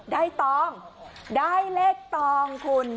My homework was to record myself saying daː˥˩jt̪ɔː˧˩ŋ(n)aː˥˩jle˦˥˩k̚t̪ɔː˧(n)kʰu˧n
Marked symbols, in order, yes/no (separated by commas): no, no